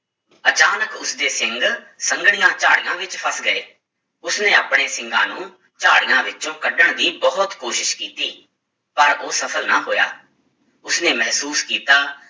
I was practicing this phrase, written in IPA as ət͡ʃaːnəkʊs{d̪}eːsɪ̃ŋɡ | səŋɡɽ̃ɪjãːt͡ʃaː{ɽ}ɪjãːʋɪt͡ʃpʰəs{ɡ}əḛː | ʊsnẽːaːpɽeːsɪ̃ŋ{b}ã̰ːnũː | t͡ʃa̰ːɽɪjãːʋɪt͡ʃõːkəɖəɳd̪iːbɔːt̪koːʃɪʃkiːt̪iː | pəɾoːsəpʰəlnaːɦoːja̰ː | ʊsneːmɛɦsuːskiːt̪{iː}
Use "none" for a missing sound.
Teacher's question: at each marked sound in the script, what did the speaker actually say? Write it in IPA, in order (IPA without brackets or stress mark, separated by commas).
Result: d̪, ɽ, ɡ, ɡ, aː